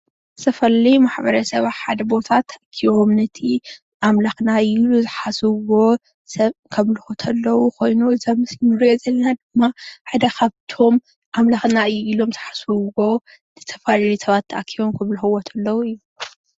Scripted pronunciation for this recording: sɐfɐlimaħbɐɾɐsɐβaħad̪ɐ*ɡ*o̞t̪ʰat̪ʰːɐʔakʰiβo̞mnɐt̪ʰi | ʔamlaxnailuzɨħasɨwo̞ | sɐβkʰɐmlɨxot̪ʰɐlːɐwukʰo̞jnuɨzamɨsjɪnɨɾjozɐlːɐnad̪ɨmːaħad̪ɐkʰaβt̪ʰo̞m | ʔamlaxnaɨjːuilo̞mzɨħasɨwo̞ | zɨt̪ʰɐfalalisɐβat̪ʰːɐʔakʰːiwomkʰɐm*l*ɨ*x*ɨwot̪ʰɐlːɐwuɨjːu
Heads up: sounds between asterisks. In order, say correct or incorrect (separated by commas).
incorrect, correct, correct